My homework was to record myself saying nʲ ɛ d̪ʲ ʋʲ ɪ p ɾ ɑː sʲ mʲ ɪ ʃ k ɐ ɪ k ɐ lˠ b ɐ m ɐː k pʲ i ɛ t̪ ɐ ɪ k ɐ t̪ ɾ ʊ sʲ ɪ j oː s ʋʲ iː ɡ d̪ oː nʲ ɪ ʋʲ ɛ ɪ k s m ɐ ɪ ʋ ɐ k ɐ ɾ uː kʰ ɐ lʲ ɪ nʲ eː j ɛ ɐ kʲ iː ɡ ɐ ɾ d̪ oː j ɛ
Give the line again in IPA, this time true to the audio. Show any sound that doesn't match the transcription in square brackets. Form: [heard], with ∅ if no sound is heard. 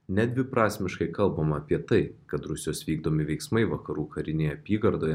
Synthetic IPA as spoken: nʲ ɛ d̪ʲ ʋʲ ɪ p ɾ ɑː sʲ mʲ ɪ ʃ k ɐ ɪ k ɐ lˠ b ɐ m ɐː [∅] pʲ i ɛ t̪ ɐ ɪ k ɐ t̪ ɾ ʊ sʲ ɪ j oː s ʋʲ iː ɡ d̪ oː [mʲ] ɪ ʋʲ ɛ ɪ k s m ɐ ɪ ʋ ɐ k ɐ ɾ uː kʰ ɐ [ɾʲ] ɪ nʲ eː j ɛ ɐ [pʲ] iː ɡ ɐ ɾ d̪ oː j ɛ